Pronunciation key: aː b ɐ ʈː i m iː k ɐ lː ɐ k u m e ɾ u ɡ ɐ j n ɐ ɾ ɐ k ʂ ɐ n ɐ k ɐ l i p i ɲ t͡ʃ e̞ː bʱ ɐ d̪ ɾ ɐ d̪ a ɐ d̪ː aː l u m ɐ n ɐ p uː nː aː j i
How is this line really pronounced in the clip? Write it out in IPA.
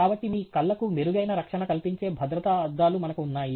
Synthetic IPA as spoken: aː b ɐ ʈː i m iː k ɐ lː ɐ k u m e ɾ u ɡ ɐ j n ɐ ɾ ɐ k ʂ ɐ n ɐ k ɐ l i p i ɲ t͡ʃ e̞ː bʱ ɐ d̪ ɾ ɐ t̪ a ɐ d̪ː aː l u m ɐ n ɐ k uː nː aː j i

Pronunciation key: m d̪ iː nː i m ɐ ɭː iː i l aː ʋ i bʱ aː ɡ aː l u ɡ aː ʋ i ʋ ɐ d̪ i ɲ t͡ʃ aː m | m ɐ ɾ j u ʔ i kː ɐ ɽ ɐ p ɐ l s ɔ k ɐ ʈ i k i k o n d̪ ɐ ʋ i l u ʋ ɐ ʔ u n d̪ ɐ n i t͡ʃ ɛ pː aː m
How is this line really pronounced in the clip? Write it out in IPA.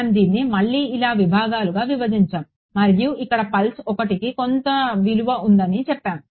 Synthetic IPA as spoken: m d̪ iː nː i m ɐ ɭː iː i l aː ʋ i bʱ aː ɡ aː l u ɡ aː ʋ i ʋ ɐ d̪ i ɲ t͡ʃ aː m | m ɐ ɾ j u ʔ i kː ɐ ɽ ɐ p ɐ l s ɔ k ɐ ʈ i k i k o n t̪ ɐ ʋ i l u ʋ ɐ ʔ u n d̪ ɐ n i t͡ʃ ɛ pː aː m

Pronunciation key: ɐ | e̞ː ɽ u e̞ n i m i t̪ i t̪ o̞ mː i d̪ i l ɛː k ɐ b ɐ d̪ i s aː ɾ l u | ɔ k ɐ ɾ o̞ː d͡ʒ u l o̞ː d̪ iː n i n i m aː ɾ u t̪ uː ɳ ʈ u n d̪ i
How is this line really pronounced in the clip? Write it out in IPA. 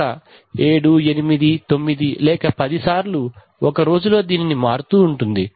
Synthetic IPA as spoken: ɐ | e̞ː ɽ u e̞ n i m i d̪ i t̪ o̞ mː i d̪ i l ɛː k ɐ p ɐ d̪ i s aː ɾ l u | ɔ k ɐ ɾ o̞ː d͡ʒ u l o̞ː d̪ iː n i n i m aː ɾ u t̪ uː ɳ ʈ u n d̪ i

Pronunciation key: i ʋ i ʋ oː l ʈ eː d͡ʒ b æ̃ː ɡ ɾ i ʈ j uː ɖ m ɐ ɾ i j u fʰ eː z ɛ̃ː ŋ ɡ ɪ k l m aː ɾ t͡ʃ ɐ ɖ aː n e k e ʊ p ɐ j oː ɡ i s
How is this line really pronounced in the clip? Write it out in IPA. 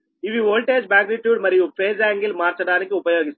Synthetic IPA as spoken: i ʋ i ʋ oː l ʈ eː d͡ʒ b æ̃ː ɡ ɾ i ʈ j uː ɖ m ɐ ɾ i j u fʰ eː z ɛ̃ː ŋ ɡ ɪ l m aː ɾ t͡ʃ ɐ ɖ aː n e k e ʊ p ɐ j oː ɡ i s

